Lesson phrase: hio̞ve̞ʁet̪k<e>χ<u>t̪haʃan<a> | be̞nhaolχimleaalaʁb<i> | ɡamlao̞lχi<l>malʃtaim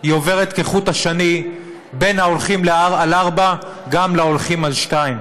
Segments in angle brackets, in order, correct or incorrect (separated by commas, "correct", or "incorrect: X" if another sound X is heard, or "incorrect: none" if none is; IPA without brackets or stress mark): correct, correct, incorrect: i, incorrect: a, incorrect: none